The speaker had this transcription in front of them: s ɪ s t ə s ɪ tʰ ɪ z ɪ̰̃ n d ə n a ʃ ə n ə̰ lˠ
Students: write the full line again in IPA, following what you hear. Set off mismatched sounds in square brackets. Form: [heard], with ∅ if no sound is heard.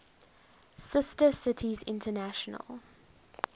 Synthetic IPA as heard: s ɪ s t ə s ɪ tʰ [i] z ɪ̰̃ n [t] ə n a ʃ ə n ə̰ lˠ